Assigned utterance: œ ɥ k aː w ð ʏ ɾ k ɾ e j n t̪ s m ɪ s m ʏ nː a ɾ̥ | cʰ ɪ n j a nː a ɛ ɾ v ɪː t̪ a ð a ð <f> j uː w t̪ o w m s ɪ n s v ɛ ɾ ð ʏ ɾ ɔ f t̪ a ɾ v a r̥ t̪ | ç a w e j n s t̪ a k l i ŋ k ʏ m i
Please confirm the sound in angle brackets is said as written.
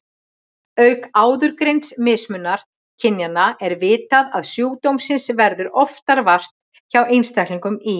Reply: no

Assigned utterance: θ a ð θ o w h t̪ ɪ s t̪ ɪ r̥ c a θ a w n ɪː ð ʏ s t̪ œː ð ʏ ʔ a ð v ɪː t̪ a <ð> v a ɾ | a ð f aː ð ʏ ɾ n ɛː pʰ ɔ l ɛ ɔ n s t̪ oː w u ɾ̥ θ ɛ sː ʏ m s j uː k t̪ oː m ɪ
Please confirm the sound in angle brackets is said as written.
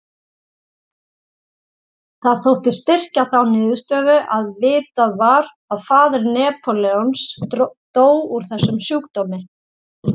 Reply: yes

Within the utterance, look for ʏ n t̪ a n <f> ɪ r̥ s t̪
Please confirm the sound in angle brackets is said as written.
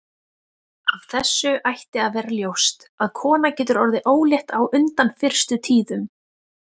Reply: yes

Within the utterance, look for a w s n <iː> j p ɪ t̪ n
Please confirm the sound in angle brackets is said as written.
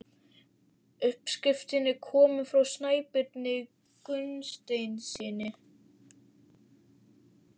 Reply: no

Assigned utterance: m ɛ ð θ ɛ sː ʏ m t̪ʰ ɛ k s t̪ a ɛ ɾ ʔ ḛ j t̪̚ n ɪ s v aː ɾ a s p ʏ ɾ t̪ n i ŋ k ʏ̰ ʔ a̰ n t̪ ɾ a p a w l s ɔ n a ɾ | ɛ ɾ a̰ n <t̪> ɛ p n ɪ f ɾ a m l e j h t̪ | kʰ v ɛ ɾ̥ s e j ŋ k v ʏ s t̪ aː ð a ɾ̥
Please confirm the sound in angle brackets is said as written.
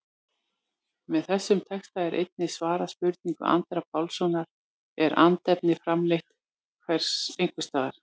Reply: yes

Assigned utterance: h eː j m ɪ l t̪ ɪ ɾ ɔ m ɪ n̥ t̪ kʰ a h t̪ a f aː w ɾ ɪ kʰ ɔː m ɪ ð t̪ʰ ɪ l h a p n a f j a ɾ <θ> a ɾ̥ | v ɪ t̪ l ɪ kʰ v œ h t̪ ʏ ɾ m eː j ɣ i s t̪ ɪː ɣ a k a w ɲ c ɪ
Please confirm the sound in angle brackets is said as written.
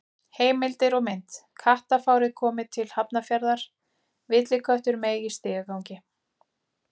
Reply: no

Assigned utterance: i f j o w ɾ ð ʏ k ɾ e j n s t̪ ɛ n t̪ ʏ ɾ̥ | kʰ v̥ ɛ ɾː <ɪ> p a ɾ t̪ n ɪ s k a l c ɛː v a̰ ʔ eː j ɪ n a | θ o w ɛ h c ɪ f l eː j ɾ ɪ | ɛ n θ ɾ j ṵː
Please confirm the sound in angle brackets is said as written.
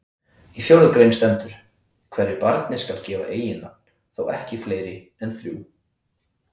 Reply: yes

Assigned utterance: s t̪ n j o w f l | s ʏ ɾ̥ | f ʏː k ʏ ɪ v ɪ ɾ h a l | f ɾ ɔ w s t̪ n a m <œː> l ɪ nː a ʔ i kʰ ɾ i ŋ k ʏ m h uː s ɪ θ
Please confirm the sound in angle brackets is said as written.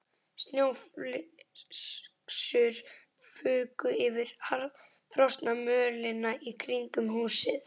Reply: yes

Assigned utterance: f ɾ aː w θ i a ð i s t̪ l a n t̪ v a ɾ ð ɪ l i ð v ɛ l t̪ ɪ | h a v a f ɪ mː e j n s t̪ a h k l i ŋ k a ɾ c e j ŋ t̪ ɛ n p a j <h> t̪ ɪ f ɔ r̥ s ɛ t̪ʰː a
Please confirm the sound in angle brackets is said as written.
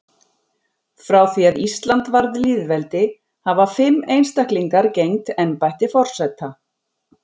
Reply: yes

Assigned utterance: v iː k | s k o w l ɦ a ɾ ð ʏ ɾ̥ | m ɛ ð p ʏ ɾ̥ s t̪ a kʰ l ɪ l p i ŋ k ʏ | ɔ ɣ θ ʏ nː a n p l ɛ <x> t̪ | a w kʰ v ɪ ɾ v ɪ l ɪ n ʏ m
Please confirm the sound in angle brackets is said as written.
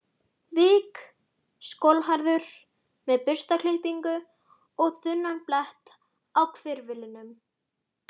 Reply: no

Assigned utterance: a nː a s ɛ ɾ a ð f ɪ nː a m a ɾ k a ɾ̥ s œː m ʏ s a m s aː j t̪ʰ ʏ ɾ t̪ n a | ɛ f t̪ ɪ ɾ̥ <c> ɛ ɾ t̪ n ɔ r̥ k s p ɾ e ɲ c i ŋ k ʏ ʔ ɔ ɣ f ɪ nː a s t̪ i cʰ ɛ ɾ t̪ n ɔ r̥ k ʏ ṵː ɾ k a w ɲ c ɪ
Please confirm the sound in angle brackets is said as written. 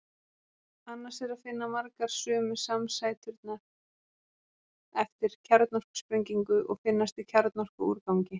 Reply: no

